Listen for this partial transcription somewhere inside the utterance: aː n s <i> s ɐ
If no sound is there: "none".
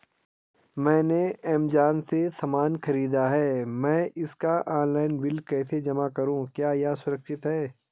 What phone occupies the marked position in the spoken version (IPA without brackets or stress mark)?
e